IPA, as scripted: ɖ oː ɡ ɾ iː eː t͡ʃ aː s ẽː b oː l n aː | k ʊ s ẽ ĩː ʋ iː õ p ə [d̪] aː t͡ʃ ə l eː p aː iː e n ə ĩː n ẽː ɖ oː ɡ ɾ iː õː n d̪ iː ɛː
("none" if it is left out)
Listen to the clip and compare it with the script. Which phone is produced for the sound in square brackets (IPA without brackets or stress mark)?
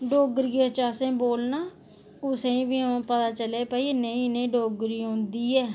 t̪